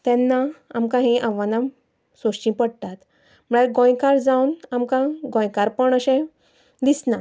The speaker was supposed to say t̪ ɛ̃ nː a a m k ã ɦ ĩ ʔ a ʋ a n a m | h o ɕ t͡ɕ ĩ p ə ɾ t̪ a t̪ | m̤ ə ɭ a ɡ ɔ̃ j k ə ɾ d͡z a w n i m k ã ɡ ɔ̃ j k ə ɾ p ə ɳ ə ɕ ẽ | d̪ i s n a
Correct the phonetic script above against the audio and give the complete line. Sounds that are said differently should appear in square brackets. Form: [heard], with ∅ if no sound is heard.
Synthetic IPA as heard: t̪ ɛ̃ nː a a m k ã ɦ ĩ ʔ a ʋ a n a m | [s] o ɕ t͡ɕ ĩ p ə [ɽ] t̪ a t̪ | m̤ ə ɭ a ɡ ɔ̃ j k [a] ɾ d͡z a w n [a] m k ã ɡ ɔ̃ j k [a] ɾ p ə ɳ ə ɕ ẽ | d̪ i s n a